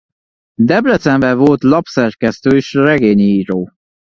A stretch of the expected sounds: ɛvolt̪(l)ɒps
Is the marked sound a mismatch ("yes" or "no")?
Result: no